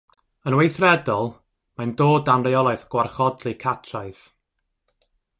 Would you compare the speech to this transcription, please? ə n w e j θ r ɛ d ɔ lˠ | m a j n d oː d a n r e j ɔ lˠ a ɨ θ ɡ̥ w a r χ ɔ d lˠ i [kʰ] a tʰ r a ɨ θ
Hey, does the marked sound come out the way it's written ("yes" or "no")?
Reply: yes